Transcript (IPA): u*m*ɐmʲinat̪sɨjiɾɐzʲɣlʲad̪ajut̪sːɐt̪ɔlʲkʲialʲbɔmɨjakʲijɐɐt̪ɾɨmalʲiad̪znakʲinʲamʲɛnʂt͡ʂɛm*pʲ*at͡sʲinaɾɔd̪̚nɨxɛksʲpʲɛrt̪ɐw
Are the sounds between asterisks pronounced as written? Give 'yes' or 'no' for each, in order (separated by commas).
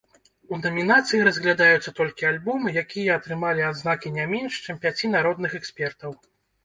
no, yes